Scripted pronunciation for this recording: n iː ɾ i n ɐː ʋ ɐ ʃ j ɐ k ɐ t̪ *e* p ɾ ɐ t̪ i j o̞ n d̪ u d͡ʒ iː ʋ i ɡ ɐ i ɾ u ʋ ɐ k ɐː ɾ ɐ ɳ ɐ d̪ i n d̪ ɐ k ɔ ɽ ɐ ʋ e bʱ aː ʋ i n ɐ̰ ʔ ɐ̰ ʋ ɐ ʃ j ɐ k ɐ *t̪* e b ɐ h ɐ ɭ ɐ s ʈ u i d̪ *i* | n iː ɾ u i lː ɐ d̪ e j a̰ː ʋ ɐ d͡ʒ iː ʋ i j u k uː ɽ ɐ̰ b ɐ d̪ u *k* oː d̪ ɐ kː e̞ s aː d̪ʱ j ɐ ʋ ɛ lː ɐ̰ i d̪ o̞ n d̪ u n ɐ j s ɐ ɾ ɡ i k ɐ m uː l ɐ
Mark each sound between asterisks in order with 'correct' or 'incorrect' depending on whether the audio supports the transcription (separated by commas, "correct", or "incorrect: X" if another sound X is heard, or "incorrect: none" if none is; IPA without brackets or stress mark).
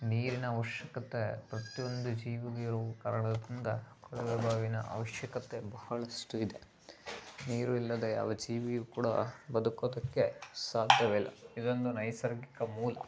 correct, correct, incorrect: e, correct